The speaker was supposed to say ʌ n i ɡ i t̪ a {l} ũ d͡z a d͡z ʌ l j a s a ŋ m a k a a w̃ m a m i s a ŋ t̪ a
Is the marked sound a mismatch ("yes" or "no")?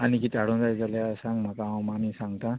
yes